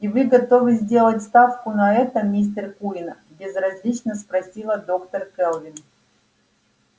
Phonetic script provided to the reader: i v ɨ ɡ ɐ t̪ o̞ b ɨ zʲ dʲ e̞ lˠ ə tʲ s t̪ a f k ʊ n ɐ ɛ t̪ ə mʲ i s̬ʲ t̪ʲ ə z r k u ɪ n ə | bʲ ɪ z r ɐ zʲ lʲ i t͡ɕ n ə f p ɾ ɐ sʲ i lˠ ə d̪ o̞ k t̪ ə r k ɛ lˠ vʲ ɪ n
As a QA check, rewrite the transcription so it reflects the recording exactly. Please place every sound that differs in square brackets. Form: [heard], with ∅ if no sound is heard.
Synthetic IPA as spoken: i v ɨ ɡ ɐ t̪ o̞ [v] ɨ zʲ dʲ e̞ lˠ ə tʲ s t̪ a f k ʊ n ɐ ɛ t̪ ə mʲ i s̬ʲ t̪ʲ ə [∅] r k u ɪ n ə | bʲ ɪ z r ɐ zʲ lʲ i t͡ɕ n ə [s] p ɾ ɐ sʲ i lˠ ə d̪ o̞ k t̪ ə r k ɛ lˠ vʲ ɪ n